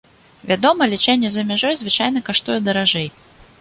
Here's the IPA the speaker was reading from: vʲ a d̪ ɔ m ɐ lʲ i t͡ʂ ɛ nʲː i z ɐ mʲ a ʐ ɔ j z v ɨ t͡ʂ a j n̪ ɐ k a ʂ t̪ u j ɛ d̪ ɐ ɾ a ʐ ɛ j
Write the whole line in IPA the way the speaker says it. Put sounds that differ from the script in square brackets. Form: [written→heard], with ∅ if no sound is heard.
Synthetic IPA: vʲ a d̪ ɔ m ɐ lʲ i t͡ʂ ɛ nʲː [i→ɛ] z ɐ mʲ a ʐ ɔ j z v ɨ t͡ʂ a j n̪ ɐ k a ʂ t̪ u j ɛ d̪ ɐ ɾ a ʐ ɛ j

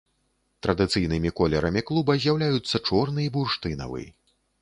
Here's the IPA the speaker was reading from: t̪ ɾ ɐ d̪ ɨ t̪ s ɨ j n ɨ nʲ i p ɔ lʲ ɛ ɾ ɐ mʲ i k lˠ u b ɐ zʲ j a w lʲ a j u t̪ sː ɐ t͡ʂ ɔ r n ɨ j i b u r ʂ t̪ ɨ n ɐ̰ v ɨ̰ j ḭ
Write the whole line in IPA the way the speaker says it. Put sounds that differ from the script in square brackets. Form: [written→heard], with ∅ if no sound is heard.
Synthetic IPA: t̪ ɾ ɐ d̪ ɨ t̪ s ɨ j n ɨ [nʲ→mʲ] i [p→k] ɔ lʲ ɛ ɾ ɐ mʲ i k lˠ u b ɐ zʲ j a w lʲ a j u t̪ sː ɐ t͡ʂ ɔ r n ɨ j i b u r ʂ t̪ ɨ n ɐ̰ v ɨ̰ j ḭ

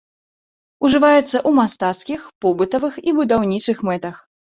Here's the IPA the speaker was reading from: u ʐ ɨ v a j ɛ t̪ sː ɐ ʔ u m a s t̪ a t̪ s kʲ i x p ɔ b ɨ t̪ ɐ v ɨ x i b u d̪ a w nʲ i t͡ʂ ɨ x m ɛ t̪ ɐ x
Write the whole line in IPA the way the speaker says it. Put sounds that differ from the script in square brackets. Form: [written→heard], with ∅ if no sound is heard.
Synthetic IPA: u ʐ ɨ v a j ɛ t̪ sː ɐ ʔ u m a s t̪ a t̪ s kʲ i x p ɔ b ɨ t̪ ɐ v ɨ x i b u d̪ a w nʲ i t͡ʂ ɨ x m ɛ t̪ ɐ x

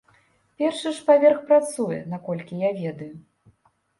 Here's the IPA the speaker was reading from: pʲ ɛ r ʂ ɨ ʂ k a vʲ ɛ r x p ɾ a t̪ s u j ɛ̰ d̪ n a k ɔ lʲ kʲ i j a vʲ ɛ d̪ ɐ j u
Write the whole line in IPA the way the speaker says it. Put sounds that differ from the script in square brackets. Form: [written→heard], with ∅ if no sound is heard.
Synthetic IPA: pʲ ɛ r ʂ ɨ ʂ [k→p] a vʲ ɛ r x p ɾ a t̪ s u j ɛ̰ [d̪→∅] n a k ɔ lʲ kʲ i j a vʲ ɛ d̪ ɐ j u

